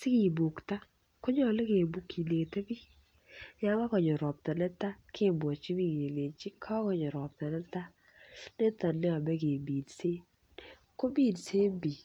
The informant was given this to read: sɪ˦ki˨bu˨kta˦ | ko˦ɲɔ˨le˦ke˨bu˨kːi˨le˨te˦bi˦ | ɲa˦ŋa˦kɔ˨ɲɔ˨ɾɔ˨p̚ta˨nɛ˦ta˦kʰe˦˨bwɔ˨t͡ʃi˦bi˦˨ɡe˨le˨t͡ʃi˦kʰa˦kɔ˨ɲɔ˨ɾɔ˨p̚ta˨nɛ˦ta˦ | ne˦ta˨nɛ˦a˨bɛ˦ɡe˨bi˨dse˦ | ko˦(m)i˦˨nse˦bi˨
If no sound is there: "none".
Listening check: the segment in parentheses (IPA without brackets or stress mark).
b